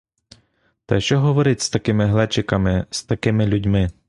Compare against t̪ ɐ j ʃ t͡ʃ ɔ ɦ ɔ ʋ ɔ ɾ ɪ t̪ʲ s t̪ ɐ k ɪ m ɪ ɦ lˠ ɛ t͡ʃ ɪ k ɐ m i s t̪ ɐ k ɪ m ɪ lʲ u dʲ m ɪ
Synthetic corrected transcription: t̪ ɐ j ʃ t͡ʃ ɔ ɦ ɔ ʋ ɔ ɾ ɪ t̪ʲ s t̪ ɐ k ɪ m ɪ ɦ lˠ ɛ t͡ʃ ɪ k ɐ m ɪ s t̪ ɐ k ɪ m ɪ lʲ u dʲ m ɪ